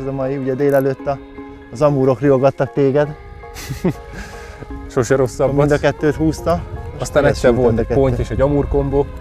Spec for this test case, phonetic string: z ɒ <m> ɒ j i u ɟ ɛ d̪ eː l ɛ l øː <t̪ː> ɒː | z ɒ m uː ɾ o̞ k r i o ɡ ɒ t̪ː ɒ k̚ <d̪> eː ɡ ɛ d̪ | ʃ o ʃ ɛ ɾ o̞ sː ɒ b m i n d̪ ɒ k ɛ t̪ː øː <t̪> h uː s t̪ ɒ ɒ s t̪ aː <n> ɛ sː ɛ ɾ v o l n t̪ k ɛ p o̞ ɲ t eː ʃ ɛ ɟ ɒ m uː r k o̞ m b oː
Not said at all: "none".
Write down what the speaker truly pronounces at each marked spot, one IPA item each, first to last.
m, t̪ː, t̪, t̪, n

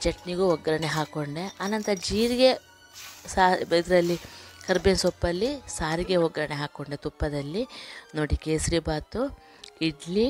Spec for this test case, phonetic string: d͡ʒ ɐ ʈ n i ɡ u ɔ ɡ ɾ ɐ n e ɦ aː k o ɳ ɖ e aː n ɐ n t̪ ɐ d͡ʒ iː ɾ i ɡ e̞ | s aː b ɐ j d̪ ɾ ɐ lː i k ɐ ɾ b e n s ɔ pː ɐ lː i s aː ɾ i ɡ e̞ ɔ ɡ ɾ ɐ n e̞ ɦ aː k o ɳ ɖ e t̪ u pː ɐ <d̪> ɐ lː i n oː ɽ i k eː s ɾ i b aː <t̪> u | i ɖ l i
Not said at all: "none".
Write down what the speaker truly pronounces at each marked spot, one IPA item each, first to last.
d̪, t̪

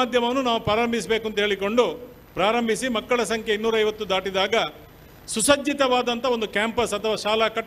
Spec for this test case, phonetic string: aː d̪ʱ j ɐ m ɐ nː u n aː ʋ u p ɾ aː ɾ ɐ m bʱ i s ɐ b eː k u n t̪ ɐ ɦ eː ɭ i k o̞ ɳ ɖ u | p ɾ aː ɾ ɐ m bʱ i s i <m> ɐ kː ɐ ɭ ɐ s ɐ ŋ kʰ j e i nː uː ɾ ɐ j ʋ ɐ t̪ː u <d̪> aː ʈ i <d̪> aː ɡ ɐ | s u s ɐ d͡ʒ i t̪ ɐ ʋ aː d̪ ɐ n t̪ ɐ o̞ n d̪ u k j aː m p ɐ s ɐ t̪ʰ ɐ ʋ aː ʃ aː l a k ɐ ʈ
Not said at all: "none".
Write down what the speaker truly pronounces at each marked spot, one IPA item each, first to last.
m, d̪, d̪

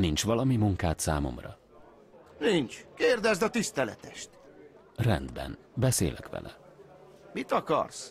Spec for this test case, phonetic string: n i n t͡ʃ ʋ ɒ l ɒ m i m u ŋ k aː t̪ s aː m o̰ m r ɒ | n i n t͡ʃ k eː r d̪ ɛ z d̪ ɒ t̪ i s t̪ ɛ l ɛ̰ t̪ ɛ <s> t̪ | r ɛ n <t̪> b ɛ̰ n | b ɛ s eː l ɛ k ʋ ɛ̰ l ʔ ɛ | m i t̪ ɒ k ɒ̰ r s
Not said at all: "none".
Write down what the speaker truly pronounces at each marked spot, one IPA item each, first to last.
ʃ, d̪

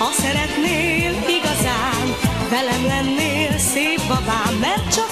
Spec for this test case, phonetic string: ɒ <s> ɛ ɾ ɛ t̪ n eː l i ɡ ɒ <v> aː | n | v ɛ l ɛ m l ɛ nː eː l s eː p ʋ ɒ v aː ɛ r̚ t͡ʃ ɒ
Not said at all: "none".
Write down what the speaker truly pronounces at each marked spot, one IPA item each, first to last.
s, z

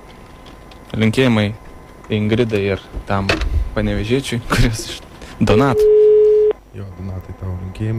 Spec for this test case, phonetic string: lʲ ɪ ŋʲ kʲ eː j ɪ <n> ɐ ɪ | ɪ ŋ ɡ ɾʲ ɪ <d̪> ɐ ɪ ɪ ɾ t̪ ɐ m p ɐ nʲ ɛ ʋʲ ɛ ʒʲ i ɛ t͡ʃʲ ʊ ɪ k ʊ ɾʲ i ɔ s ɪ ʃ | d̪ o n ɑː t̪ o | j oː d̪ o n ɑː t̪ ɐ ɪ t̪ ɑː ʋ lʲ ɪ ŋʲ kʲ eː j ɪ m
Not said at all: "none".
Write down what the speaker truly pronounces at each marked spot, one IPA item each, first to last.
m, d̪

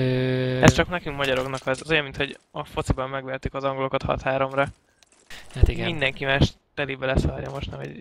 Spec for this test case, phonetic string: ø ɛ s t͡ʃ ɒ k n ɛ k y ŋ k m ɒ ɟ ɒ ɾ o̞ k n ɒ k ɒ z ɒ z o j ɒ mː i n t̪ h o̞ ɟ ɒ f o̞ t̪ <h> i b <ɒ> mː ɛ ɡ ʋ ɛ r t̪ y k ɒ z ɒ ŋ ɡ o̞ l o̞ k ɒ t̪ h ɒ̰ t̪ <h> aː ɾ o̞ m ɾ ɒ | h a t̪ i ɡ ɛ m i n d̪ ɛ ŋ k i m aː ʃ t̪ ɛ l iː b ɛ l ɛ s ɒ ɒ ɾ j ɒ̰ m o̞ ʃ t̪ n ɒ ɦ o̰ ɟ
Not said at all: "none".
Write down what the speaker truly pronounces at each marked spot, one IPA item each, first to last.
s, ɒ, h

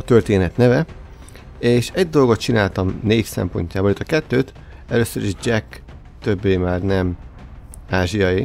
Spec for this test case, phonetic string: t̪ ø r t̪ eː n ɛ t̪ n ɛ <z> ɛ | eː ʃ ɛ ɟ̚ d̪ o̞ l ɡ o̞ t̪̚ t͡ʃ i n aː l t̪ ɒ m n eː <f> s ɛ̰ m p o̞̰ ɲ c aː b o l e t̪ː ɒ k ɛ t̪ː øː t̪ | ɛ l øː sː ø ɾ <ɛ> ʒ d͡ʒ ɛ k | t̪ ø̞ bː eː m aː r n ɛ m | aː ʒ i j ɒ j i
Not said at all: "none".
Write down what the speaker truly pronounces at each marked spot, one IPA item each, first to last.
v, f, i

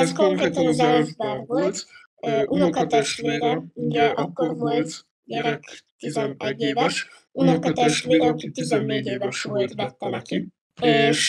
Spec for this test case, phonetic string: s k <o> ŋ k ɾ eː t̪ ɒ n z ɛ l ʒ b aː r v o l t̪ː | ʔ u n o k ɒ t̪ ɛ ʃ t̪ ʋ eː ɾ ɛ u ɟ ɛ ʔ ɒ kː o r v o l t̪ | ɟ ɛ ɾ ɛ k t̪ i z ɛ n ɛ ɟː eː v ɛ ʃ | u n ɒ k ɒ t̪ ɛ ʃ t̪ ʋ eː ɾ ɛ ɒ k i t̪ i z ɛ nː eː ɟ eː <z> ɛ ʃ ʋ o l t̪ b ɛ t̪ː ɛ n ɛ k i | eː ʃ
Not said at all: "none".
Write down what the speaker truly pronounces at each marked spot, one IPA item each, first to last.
o, v

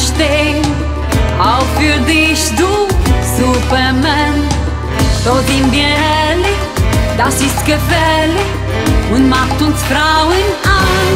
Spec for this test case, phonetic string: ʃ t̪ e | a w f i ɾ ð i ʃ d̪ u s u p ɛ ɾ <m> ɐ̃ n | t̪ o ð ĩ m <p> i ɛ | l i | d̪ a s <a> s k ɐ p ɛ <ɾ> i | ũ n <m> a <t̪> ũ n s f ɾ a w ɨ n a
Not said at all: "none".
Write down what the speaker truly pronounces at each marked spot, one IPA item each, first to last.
m, b, i, l, m, t̪

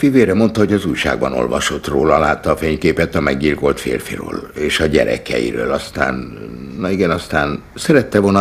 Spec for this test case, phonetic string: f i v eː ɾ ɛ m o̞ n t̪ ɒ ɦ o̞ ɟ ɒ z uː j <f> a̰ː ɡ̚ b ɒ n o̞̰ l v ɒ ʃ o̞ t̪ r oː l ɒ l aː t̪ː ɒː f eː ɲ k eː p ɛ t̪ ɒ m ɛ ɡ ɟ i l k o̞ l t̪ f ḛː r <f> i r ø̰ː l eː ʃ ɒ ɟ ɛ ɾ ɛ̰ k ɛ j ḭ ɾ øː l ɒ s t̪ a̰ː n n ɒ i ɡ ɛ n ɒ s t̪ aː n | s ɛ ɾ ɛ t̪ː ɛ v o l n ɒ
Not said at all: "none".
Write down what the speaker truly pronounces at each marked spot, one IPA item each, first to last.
ʃ, f

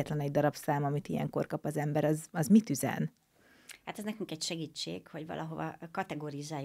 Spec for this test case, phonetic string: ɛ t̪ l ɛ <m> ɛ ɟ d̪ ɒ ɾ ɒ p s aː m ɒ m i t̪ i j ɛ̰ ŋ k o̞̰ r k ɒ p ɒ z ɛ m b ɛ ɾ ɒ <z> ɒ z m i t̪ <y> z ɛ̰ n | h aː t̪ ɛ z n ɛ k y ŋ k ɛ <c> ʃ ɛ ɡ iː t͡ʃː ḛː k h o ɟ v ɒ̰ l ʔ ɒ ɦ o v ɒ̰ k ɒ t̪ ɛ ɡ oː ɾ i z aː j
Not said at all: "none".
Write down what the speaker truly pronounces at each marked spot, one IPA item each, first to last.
n, z, y, c

